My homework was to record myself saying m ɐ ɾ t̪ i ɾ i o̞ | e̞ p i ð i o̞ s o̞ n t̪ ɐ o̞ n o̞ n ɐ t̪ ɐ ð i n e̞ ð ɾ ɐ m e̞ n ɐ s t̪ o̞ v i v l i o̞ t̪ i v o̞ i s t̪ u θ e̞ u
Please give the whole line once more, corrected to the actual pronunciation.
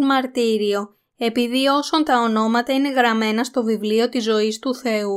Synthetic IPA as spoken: m ɐ ɾ t̪ i ɾ i o̞ | e̞ p i ð i o̞ s o̞ n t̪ ɐ o̞ n o̞ m ɐ t̪ ɐ i n e̞ ɣ ɾ ɐ m e̞ n ɐ s t̪ o̞ v i v l i o̞ t̪ i z o̞ i s t̪ u θ e̞ u